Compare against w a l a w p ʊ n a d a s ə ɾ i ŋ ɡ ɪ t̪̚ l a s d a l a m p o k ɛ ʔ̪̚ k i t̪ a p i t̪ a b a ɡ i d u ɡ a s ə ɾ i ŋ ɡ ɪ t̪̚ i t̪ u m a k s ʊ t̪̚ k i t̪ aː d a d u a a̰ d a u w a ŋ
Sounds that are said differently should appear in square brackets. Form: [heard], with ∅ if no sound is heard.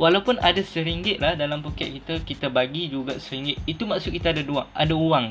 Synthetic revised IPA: w a l a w p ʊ n a d a s ə ɾ i ŋ ɡ ɪ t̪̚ l a [h] d a l a m p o k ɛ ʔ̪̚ k i t̪ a [k] i t̪ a b a ɡ i [d͡ʒ] u ɡ a s ə ɾ i ŋ ɡ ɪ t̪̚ i t̪ u m a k s ʊ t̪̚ k i t̪ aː d a d u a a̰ d a u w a ŋ